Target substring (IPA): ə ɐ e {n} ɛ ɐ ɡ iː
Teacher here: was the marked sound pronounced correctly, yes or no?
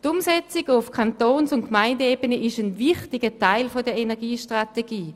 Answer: yes